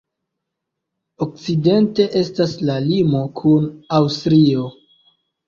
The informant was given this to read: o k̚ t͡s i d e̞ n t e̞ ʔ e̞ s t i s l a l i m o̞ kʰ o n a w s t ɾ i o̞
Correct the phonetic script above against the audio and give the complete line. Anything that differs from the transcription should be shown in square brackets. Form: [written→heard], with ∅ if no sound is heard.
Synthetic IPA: o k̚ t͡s i d e̞ n t e̞ ʔ e̞ s t [i→a] s l a l i m o̞ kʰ [o→u] n a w s t ɾ i o̞